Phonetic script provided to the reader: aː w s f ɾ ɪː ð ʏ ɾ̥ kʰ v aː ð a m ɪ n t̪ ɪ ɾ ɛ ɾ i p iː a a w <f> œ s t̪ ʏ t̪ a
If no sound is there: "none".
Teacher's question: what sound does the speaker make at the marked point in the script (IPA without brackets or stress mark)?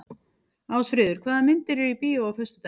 f